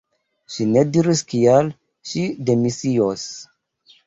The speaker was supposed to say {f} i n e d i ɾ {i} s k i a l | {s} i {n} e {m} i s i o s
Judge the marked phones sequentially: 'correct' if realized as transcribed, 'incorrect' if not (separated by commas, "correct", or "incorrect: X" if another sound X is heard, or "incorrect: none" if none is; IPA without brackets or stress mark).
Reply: incorrect: ʃ, correct, incorrect: ʃ, incorrect: d, correct